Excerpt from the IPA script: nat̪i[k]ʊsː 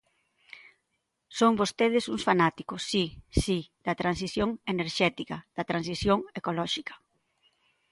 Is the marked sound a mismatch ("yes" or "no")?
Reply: no